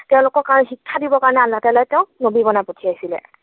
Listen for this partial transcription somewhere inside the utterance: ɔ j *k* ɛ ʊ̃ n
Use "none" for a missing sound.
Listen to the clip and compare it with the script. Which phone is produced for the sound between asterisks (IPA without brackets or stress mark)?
t